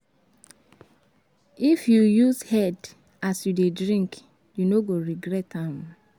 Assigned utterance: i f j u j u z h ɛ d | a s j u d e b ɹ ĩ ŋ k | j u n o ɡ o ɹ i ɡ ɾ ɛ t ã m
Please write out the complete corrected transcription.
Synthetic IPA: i f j u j u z h ɛ d | a s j u d e d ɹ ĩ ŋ k | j u n o ɡ o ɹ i ɡ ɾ ɛ t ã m